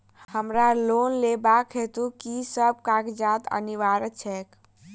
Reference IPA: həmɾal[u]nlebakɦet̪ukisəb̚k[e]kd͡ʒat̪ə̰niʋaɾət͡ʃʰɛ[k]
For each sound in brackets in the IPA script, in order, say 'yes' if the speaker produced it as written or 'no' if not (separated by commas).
no, no, yes